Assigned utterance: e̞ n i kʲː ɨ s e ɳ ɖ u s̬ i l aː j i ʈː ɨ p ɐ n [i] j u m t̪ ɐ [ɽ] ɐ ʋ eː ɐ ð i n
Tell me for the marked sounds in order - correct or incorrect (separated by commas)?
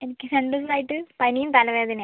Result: correct, incorrect